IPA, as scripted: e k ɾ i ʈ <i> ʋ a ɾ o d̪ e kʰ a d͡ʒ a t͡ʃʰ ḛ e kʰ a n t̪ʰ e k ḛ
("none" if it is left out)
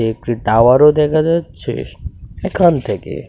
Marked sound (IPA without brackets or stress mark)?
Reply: a